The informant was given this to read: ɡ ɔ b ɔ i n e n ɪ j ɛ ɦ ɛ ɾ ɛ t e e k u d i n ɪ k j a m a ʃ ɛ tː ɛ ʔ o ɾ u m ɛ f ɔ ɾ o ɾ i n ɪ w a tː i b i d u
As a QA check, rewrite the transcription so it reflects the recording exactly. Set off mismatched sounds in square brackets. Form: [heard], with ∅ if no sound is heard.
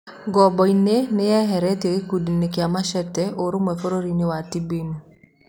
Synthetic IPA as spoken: ɡ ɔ b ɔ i n e n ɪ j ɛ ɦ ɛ ɾ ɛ t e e k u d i n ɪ k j a m a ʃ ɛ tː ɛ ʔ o ɾ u m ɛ f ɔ ɾ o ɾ i n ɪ w a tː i b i [n] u